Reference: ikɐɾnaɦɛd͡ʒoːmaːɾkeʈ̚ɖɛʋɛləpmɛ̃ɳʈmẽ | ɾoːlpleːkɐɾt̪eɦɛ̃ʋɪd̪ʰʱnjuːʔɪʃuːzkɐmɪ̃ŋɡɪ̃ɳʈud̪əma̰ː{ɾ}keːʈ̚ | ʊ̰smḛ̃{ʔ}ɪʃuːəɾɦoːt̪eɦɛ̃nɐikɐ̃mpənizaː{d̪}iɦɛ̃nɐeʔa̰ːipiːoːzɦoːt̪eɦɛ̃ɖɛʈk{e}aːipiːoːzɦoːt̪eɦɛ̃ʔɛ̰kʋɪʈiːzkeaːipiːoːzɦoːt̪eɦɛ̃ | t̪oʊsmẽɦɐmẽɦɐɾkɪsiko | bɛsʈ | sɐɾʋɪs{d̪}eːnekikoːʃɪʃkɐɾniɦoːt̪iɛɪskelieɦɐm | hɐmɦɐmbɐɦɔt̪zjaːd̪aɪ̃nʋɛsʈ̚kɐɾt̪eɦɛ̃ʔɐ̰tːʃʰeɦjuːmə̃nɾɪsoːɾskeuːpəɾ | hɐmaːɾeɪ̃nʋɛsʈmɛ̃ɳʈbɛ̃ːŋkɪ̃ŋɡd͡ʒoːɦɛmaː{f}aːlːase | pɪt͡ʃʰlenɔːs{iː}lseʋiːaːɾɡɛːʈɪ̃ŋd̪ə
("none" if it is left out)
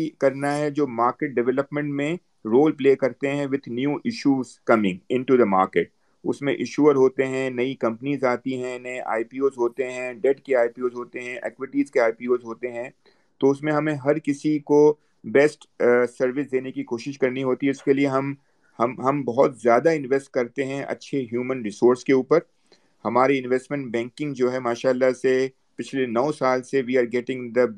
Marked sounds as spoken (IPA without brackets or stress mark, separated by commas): ɾ, ʔ, t̪, e, d̪, ʃ, aː